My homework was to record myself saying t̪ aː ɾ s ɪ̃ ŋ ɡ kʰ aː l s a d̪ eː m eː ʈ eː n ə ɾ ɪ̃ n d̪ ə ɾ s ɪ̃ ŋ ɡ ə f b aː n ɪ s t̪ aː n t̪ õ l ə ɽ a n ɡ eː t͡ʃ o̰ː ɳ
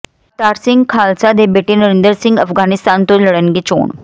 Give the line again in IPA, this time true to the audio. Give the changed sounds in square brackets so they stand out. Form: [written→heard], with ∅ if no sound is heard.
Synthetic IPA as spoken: t̪ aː ɾ s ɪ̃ ŋ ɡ kʰ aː l s a d̪ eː [m→b] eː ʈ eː n ə ɾ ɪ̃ n d̪ ə ɾ s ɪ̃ ŋ ɡ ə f [b→ɡ] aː n ɪ s t̪ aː n t̪ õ l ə ɽ [a→ə] n ɡ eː t͡ʃ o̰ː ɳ